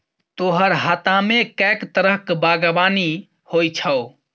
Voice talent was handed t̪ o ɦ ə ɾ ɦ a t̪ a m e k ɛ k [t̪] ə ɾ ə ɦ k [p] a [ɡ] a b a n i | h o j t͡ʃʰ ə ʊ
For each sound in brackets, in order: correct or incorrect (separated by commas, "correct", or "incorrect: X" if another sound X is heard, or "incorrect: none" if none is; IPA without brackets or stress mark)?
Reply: correct, incorrect: b, correct